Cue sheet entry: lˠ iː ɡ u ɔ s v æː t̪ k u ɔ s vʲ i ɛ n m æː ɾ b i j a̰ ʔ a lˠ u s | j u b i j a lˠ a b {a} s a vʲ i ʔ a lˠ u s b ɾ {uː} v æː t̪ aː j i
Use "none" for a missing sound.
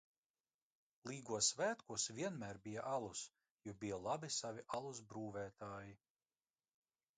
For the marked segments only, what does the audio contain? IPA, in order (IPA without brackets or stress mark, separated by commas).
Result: i, uː